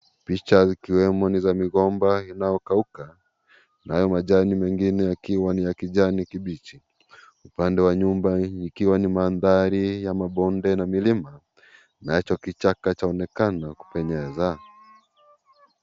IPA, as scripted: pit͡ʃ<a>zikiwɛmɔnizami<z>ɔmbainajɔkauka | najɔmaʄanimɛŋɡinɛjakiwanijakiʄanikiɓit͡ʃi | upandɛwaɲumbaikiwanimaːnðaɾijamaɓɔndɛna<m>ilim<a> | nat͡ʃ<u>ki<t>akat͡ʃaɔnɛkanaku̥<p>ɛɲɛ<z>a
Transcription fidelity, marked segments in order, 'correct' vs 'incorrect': correct, incorrect: ɣ, correct, correct, incorrect: ɔ, incorrect: t͡ʃ, correct, correct

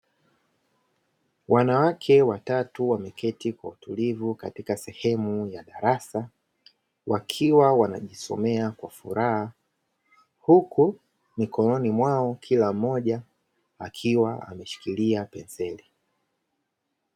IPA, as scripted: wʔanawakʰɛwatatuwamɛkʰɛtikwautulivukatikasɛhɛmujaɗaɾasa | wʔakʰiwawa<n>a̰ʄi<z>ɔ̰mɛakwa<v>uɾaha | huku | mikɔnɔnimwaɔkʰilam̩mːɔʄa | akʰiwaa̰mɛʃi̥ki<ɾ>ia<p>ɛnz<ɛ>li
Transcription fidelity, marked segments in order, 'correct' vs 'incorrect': correct, incorrect: s, incorrect: f, incorrect: l, correct, correct

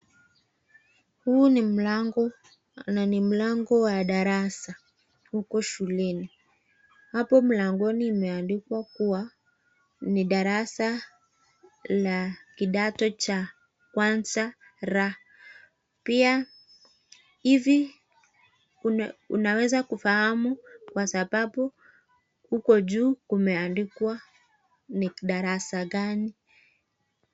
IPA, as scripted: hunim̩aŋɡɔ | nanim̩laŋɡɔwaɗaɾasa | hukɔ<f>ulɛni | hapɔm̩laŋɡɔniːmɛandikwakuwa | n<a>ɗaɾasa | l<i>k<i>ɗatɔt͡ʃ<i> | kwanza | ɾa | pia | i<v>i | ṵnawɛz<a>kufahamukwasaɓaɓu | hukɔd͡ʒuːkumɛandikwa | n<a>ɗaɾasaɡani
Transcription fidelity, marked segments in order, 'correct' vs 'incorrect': incorrect: ʃ, incorrect: i, incorrect: a, correct, incorrect: a, correct, correct, incorrect: i

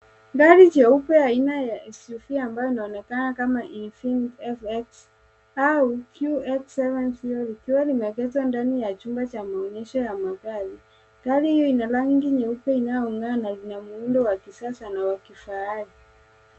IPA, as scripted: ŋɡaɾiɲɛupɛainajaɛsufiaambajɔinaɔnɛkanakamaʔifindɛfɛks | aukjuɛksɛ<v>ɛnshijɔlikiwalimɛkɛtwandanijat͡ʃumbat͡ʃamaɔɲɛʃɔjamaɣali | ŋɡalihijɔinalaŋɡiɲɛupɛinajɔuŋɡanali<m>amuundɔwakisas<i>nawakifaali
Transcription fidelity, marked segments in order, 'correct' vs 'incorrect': correct, incorrect: n, incorrect: a

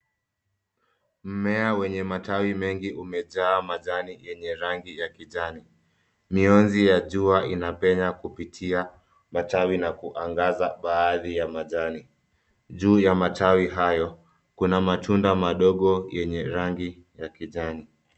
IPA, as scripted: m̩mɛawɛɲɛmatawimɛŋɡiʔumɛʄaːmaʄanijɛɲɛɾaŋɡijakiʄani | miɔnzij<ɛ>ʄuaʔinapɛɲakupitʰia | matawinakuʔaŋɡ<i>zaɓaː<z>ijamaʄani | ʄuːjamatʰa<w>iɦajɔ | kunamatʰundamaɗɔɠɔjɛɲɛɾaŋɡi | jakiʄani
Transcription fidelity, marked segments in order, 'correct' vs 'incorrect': incorrect: a, incorrect: a, incorrect: ð, correct

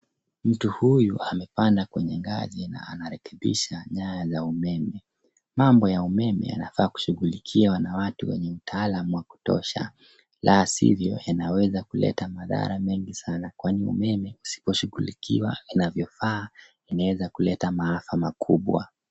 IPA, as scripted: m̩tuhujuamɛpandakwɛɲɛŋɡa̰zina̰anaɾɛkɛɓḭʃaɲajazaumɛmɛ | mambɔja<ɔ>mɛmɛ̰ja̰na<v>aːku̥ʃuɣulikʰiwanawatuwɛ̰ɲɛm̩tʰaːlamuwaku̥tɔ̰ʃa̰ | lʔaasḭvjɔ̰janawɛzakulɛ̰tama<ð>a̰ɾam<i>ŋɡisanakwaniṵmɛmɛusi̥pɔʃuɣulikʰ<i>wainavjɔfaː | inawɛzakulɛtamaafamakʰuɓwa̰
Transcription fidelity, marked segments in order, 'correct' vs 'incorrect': incorrect: u, incorrect: f, correct, incorrect: ɛ, correct

